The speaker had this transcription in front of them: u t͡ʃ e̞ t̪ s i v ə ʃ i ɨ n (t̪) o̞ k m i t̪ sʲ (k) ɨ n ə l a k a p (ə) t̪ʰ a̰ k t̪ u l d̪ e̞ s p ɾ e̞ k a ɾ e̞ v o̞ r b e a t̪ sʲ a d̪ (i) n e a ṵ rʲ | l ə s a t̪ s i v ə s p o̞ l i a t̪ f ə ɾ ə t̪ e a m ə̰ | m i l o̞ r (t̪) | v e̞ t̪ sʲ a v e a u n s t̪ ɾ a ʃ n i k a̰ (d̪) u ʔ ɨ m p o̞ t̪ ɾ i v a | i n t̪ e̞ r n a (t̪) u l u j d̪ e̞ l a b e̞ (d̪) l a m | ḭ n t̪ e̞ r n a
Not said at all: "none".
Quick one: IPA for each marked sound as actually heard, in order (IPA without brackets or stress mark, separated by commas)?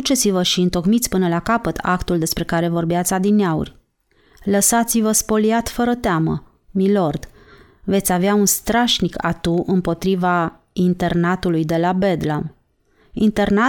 t̪, p, ə, i, d̪, t̪, t̪, d̪